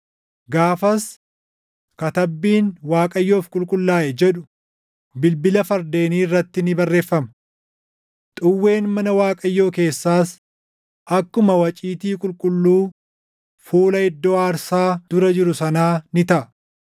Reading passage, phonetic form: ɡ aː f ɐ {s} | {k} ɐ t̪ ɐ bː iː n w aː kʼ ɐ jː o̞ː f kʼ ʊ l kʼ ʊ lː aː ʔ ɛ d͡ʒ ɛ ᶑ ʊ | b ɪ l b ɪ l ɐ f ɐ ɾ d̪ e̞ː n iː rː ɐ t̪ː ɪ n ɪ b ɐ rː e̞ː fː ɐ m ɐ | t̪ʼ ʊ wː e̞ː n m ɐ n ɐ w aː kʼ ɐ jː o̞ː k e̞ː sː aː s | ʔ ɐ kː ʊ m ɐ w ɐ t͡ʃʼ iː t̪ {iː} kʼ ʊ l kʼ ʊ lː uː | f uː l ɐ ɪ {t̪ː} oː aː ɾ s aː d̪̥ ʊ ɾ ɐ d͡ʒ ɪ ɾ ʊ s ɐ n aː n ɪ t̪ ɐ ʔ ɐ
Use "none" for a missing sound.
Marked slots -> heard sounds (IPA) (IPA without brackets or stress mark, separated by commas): s, k, iː, d̪ː